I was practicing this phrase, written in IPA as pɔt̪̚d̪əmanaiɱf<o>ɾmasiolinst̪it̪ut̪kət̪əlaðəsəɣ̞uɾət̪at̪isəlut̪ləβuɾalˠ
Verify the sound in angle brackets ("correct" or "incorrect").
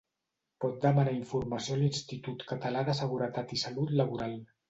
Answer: incorrect